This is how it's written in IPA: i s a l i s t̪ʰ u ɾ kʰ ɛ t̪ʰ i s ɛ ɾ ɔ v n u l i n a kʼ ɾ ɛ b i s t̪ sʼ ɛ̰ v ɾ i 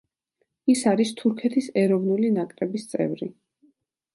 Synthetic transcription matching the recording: i s a ɾ i s t̪ʰ u ɾ kʰ ɛ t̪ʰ i s ɛ ɾ ɔ v n u l i n a kʼ ɾ ɛ b i s t̪ sʼ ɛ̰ v ɾ i